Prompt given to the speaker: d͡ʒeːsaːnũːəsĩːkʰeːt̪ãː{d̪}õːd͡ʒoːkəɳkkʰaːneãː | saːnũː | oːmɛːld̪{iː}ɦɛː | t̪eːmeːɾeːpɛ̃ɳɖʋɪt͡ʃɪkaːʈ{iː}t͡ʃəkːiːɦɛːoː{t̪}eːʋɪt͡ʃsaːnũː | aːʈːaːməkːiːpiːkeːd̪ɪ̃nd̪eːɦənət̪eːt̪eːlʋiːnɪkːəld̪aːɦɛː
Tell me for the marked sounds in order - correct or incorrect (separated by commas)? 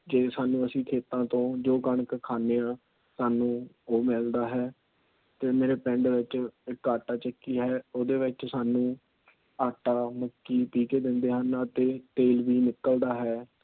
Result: incorrect, incorrect, incorrect, incorrect